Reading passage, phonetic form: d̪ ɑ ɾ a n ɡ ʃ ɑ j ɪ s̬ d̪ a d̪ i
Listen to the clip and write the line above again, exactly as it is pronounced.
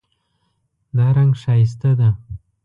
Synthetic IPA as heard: d̪ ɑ ɾ a ŋ ɡ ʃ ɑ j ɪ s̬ t̪ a d̪ a

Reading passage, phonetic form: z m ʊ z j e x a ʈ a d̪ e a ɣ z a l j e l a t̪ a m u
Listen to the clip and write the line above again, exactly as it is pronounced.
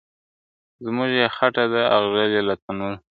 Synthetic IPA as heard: z m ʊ ʒ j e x a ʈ a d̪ a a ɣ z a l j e l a t̪ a n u

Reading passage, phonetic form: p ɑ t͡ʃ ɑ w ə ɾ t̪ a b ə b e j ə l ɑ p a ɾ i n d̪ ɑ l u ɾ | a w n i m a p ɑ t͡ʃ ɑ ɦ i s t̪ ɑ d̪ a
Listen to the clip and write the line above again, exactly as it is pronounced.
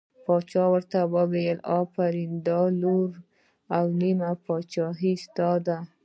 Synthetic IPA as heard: p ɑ t͡ʃ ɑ w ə ɾ t̪ a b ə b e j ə l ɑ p a ɾ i n d̪ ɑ l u ɾ | a w n i m a p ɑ t͡ʃ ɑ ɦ i s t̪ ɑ d̪ a

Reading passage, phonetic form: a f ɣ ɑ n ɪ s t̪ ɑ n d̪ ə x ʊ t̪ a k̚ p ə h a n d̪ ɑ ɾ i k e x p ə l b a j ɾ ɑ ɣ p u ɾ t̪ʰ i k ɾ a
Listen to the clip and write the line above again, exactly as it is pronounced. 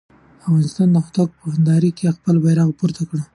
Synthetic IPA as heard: a f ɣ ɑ n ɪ s t̪ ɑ n d̪ ə x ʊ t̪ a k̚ p ə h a n d̪ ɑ ɾ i k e x p ə l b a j ɾ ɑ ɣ p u ɾ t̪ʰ a k ɽ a

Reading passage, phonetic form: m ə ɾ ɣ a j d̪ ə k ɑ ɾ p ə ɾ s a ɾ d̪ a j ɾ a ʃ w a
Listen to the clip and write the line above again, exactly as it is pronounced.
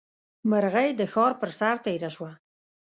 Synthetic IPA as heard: m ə ɾ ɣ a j d̪ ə x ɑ ɾ p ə ɾ s a ɾ t̪ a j ɾ a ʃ w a

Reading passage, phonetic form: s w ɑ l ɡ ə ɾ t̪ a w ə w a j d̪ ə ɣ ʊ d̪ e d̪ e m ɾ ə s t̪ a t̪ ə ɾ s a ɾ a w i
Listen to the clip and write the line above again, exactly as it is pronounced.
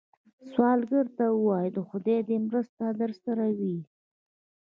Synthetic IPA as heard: s w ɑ l ɡ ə ɾ t̪ a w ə w ɑ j d̪ ə x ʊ d̪ e d̪ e m ɾ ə s t̪ a d̪ ə ɾ s a ɾ a w i

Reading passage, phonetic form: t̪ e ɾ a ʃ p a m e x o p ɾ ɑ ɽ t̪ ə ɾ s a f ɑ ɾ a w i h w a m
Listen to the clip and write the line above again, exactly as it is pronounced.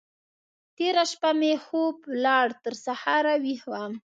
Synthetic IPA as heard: t̪ e ɾ a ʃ p a m e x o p l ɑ ɽ t̪ ə ɾ s a h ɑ ɾ a w i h w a m

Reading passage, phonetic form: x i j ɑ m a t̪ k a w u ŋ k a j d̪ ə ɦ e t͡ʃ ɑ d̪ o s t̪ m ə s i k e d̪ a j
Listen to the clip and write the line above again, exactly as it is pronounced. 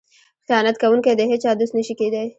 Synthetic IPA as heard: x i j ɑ n a t̪ k a w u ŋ k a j d̪ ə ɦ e t͡ʃ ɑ d̪ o s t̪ n ə ʃ i k e d̪ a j

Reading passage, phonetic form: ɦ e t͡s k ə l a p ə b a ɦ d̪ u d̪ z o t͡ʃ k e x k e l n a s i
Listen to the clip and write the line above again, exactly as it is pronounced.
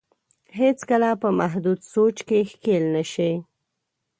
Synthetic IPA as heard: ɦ e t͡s k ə l a p ə m a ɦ d̪ u d̪ s o t͡ʃ k e x k e l n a ʃ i

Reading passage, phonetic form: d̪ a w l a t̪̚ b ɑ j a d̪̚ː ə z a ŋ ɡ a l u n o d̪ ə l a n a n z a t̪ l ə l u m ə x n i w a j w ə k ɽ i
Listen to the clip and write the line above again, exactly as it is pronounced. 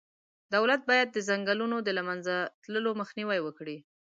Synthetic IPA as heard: d̪ a w l a t̪̚ b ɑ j a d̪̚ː ə z a ŋ ɡ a l u n o d̪ ə l a m a n z a t̪ l ə l o m ə x n i w a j w ə k ɽ i

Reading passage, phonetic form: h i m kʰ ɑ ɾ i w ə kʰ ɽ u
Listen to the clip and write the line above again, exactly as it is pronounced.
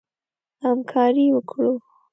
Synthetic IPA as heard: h a m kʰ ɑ ɾ i w ə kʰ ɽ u

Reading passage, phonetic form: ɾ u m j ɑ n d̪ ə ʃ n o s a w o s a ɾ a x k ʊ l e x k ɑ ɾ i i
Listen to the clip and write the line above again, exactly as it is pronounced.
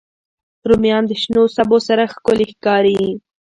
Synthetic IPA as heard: ɾ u m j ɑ n d̪ ə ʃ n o s a b o s a ɾ a x k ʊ l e x k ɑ ɾ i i

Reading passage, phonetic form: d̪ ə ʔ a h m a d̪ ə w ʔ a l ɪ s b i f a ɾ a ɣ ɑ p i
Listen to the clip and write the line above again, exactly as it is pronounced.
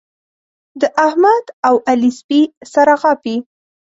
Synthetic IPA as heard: d̪ ə ʔ a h m a d̪ a w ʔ a l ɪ s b i s a ɾ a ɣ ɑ p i

